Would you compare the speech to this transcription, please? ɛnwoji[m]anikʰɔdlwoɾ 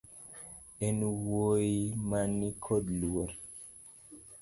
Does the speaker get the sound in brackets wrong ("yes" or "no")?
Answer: no